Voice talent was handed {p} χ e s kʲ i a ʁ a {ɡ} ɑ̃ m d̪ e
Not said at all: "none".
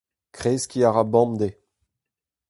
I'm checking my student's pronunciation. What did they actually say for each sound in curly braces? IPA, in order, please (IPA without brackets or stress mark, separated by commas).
k, b